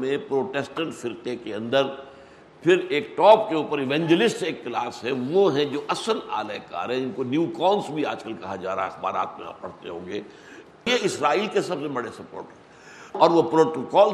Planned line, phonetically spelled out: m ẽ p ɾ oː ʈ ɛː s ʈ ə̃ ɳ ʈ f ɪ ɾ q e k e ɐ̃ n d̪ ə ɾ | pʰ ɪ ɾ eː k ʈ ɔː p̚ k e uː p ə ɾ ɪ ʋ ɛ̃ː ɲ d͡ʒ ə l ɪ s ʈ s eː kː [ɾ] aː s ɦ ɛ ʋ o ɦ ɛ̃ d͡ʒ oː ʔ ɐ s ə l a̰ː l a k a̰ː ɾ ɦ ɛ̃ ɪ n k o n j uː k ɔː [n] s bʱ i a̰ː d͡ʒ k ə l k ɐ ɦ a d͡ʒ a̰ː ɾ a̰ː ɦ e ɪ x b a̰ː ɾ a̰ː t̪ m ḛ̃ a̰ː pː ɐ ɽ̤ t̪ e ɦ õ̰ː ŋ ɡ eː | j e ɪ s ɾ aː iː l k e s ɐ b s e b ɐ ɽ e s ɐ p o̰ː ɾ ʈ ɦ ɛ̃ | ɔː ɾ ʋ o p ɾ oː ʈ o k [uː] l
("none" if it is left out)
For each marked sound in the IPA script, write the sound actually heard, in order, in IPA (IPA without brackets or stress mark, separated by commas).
l, n, ɔː